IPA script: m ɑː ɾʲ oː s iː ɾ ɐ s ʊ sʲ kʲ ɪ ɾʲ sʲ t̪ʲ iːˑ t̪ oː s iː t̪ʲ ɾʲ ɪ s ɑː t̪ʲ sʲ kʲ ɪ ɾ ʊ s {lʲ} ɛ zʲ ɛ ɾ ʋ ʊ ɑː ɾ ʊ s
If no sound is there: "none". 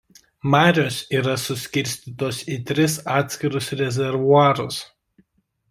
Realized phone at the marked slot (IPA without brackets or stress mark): ɾʲ